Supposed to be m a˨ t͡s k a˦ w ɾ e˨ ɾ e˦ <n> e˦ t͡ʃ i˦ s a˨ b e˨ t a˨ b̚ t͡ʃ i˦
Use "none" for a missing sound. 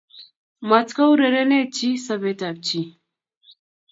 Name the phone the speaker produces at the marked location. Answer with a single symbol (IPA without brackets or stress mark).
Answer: n